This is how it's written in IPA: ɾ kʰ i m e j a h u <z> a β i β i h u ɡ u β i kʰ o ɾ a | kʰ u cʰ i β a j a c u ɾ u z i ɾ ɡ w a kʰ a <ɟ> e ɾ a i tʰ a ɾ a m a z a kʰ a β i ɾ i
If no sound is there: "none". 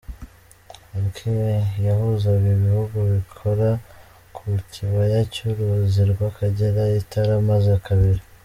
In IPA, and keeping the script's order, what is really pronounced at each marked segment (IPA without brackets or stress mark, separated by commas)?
z, ɟ